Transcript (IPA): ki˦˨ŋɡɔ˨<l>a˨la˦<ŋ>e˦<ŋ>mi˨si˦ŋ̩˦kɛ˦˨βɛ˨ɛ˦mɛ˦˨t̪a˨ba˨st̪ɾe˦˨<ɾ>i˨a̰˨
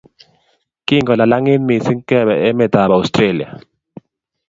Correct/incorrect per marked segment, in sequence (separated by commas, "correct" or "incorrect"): correct, correct, incorrect, incorrect